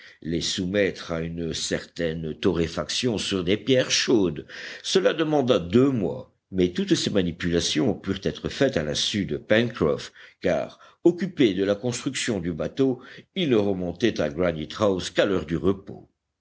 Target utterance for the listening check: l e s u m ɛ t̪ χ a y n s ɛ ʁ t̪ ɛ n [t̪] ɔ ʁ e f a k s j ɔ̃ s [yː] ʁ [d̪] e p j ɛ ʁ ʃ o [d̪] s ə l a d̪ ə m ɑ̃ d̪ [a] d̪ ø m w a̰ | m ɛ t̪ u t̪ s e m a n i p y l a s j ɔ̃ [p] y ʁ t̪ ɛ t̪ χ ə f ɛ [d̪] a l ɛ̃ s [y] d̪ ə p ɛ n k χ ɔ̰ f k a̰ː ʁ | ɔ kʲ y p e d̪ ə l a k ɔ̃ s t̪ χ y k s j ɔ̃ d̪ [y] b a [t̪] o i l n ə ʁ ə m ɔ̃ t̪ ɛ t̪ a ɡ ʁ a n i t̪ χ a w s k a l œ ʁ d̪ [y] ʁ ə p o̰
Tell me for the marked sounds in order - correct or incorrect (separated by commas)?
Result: correct, incorrect, correct, correct, correct, correct, incorrect, correct, correct, correct, correct